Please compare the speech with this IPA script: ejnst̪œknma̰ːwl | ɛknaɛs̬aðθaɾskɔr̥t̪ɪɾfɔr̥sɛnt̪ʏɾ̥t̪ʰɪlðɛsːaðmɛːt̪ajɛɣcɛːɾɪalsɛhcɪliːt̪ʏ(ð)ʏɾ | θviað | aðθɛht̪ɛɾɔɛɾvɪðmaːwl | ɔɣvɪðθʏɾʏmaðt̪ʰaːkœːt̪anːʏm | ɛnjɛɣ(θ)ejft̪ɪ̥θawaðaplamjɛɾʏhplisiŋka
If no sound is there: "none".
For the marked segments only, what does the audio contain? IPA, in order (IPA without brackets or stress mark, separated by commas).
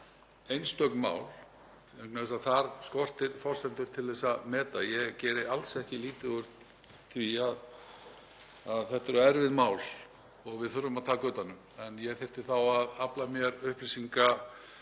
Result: ɣ, θ